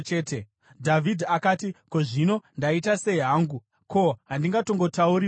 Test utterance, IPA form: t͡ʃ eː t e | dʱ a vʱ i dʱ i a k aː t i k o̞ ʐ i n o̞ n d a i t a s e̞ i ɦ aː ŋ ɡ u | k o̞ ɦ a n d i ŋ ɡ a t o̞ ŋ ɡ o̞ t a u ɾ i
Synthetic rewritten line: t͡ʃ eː t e | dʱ a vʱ i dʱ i a k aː t i k o̞ ʐ i n o̞ n d a i t a s e̞ i ɦ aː ŋ ɡ u | k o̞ ɦ a n d i ŋ ɡ a t o̞ ŋ ɡ o̞ t a u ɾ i